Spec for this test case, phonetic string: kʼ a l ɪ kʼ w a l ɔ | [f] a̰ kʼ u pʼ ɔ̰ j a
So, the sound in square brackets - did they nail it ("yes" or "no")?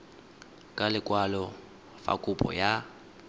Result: yes